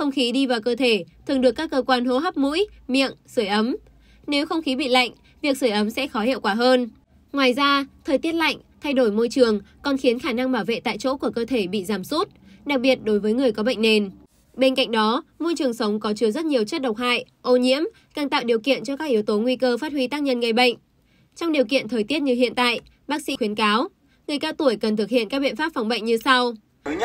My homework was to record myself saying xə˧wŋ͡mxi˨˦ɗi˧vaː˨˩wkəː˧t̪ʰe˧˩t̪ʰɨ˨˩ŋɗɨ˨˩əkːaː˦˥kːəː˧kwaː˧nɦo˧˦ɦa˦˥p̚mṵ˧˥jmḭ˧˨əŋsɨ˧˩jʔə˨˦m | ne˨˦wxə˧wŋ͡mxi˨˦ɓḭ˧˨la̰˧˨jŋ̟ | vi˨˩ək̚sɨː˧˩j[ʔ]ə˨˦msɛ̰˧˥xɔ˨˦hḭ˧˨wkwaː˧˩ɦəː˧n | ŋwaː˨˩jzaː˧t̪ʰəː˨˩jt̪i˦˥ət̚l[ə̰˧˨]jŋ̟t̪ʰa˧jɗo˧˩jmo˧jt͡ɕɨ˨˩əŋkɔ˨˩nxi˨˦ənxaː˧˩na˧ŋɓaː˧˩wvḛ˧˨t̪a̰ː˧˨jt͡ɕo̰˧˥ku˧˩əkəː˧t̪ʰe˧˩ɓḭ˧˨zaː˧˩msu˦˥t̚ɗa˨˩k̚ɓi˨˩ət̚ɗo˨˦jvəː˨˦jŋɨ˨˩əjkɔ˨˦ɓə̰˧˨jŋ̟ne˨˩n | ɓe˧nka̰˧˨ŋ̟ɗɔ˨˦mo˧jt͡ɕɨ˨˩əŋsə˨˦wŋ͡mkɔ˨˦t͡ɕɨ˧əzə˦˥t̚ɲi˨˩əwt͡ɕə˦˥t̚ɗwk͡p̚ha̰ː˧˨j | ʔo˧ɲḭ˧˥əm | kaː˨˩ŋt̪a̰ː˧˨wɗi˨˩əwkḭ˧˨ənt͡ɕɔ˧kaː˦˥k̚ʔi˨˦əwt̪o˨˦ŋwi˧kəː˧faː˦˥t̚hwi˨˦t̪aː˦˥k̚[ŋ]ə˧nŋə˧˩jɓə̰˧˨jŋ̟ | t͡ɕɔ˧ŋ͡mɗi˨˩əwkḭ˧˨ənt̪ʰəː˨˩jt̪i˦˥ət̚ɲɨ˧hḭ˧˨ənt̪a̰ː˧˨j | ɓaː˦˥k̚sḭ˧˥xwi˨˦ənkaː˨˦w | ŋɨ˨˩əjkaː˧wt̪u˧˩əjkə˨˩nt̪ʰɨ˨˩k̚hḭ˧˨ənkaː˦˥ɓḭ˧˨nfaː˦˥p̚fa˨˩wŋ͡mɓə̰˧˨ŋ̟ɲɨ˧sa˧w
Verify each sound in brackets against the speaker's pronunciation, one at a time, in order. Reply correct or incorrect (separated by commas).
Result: correct, incorrect, incorrect